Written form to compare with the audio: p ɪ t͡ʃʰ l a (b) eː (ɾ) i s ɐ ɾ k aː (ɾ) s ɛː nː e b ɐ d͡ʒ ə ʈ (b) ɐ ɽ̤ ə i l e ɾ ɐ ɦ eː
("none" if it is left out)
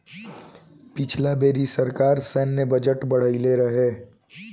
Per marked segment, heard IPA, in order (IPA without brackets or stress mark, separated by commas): b, ɾ, ɾ, b